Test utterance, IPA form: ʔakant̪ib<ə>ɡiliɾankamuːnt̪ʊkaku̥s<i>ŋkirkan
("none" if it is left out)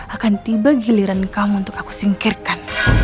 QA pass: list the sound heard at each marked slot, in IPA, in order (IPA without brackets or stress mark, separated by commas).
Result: a, i